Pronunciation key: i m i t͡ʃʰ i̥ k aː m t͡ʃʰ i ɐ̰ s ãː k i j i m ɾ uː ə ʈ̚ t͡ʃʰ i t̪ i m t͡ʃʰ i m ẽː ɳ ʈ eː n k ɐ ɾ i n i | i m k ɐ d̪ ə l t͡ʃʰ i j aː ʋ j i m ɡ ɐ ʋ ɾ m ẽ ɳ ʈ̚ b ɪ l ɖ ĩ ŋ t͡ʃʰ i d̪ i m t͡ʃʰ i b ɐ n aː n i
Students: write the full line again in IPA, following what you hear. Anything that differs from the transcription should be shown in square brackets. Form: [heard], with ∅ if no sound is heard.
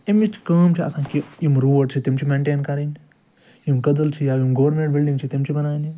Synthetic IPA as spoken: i m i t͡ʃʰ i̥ k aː m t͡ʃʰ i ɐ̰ s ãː k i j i m ɾ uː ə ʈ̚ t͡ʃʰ i t̪ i m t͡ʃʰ i m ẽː ɳ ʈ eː n k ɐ ɾ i n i | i m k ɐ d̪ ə l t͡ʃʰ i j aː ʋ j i m ɡ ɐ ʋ ɾ m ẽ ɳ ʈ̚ b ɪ l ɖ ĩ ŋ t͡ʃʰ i [t̪] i m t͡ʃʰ i b ɐ n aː n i